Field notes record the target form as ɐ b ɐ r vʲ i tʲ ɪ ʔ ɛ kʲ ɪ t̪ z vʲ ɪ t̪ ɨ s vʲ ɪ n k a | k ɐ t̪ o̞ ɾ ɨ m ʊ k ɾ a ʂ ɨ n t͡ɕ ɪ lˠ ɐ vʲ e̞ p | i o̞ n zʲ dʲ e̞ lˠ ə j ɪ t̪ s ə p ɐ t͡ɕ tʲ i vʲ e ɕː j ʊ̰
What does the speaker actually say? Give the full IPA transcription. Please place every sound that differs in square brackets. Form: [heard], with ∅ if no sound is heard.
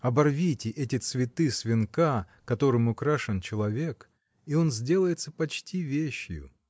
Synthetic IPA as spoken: ɐ b ɐ r vʲ i tʲ ɪ ʔ ɛ [tʲ] ɪ t̪ [s] vʲ ɪ t̪ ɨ s vʲ ɪ n k a | k ɐ t̪ o̞ ɾ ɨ m ʊ k ɾ a ʂ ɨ n t͡ɕ ɪ lˠ ɐ vʲ e̞ [k] | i o̞ n zʲ dʲ e̞ lˠ ə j ɪ t̪ s ə p ɐ t͡ɕ tʲ i vʲ e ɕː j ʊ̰